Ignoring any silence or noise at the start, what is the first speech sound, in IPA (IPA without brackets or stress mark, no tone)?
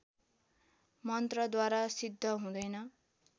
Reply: m